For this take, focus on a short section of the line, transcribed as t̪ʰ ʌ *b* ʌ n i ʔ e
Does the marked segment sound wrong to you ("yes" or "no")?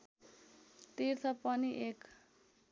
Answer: yes